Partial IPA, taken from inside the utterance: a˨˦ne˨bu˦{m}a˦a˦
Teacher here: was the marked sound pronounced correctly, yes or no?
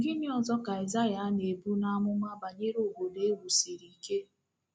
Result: no